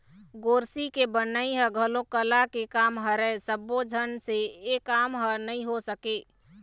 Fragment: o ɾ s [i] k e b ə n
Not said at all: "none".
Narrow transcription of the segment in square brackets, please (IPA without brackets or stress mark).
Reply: i